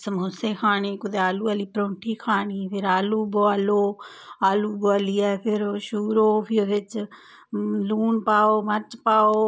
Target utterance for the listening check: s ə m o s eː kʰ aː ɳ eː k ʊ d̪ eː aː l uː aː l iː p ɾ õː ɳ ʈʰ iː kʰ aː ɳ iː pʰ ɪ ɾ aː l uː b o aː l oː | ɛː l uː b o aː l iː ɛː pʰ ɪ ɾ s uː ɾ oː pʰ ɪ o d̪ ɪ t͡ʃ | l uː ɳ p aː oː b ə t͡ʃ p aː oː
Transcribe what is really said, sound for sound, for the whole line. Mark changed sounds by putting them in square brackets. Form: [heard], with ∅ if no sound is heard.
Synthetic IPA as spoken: s ə m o s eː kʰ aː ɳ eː k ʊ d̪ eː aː l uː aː l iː p ɾ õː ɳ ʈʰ iː kʰ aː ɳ iː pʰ ɪ ɾ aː l uː b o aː l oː | [aː] l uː b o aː l iː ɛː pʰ ɪ ɾ [ʃ] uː ɾ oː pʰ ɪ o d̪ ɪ t͡ʃ | l uː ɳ p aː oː [m] ə t͡ʃ p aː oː

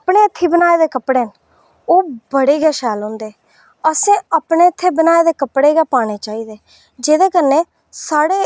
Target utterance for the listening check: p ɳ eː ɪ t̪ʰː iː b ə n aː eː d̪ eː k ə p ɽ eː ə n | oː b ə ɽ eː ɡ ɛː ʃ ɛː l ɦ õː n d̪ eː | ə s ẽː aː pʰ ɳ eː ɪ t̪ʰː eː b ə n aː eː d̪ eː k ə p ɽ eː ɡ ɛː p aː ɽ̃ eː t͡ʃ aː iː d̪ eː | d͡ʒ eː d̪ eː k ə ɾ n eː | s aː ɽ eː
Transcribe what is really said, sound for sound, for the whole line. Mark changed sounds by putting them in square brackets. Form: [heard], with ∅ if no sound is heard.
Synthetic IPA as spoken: p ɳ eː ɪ t̪ʰː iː b ə n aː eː d̪ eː k ə p ɽ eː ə n | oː b ə ɽ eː ɡ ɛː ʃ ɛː l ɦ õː n d̪ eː | ə s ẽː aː [p] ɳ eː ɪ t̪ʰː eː b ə n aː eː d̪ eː k ə p ɽ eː ɡ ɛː p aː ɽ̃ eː t͡ʃ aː iː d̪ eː | d͡ʒ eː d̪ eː k ə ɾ n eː | s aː ɽ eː

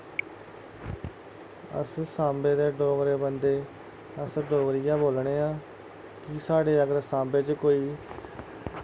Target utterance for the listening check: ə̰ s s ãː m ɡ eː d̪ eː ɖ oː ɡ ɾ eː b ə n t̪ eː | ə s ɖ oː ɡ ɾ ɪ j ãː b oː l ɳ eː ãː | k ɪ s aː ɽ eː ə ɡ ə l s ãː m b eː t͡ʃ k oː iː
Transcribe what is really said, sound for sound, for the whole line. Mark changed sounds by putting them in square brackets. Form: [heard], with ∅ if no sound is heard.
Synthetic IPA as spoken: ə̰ s s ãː m [b] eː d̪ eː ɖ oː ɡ ɾ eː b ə n [d̪] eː | ə s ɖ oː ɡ ɾ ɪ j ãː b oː l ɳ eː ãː | k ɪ s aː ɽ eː ə ɡ ə [ɾ] s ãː m b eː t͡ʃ k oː iː

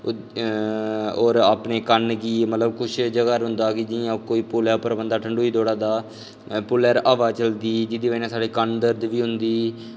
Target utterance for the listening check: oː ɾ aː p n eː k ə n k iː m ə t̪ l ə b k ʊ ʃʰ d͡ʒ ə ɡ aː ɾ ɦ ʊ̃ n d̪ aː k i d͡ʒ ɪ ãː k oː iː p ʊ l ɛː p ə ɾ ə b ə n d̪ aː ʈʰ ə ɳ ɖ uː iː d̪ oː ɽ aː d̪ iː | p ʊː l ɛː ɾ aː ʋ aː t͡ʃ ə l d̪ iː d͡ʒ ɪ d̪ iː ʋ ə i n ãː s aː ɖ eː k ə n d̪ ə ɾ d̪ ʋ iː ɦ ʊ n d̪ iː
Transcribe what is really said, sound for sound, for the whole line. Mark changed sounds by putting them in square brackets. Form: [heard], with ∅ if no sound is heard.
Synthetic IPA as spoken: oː ɾ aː p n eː k ə n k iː m ə t̪ l ə b k ʊ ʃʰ d͡ʒ ə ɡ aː ɾ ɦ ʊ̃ n d̪ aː k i d͡ʒ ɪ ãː k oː iː p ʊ l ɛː p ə ɾ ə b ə n d̪ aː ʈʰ ə ɳ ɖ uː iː d̪ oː ɽ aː d̪ [aː] | p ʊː l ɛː ɾ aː ʋ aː t͡ʃ ə l d̪ iː d͡ʒ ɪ d̪ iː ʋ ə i n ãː s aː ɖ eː k ə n d̪ ə ɾ d̪ ʋ iː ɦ ʊ n d̪ iː

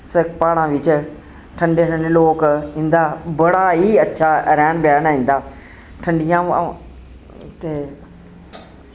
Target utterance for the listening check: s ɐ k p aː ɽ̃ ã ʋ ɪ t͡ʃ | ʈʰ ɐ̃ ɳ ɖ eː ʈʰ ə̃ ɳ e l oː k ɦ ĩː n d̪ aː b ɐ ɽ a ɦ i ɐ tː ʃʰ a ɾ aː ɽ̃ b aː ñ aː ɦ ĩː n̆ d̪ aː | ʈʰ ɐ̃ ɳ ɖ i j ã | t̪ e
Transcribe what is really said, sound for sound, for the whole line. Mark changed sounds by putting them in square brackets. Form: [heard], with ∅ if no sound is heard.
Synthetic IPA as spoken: s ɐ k p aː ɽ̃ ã ʋ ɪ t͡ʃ | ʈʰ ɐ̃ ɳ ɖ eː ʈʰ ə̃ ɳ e l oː k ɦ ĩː n d̪ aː b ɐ ɽ a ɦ i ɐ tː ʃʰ a ɾ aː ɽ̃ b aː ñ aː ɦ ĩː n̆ d̪ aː | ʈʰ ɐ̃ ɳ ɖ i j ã | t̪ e

